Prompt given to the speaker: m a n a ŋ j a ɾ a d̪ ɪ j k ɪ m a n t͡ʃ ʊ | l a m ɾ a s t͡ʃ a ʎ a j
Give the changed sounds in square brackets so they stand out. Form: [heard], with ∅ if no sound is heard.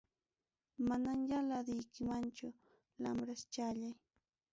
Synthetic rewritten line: m a n a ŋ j a [l] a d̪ ɪ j k ɪ m a n t͡ʃ ʊ | l a m ɾ a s t͡ʃ a ʎ a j